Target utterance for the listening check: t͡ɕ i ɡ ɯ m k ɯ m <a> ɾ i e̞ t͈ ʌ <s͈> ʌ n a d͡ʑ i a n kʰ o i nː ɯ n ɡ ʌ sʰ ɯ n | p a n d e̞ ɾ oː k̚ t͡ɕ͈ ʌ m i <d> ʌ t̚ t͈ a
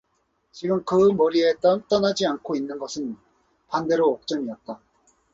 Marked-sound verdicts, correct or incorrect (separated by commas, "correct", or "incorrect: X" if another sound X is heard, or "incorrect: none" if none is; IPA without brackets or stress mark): incorrect: ʌ, incorrect: t͈, incorrect: none